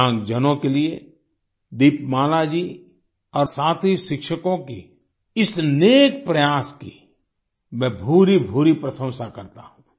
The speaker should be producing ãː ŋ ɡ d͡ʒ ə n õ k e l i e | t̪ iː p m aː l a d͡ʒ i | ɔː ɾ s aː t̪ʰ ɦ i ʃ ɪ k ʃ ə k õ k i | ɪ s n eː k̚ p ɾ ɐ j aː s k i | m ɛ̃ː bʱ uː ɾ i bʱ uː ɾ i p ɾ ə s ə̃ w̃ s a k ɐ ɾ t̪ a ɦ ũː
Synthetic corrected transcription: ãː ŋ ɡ d͡ʒ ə n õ k e l i e | d̪ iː p m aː l a d͡ʒ i | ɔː ɾ s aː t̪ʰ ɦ i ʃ ɪ k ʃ ə k õ k i | ɪ s n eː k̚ p ɾ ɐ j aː s k i | m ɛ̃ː bʱ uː ɾ i bʱ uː ɾ i p ɾ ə s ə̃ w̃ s a k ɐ ɾ t̪ a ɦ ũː